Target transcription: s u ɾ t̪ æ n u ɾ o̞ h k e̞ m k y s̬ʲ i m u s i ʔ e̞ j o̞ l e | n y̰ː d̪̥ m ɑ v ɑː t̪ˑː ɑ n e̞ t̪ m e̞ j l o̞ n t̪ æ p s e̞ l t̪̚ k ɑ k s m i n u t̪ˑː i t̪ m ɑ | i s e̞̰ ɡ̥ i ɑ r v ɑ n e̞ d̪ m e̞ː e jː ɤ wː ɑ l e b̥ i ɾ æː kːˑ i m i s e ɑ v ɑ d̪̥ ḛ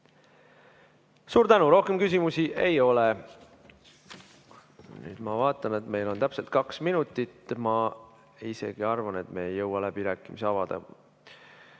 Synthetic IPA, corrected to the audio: s uː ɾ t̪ æ n u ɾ o̞ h k e̞ m k y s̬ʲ i m u s i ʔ e̞ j o̞ l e | n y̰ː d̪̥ m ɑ v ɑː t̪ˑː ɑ n e̞ t̪ m e̞ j l o̞ n t̪ æ p s e̞ l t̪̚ k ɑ k s m i n u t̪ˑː i t̪ m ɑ | i s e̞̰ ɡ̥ i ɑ r v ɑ n e̞ t̪ m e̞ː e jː ɤ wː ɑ l æ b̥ i ɾ æː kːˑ i m i s e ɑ v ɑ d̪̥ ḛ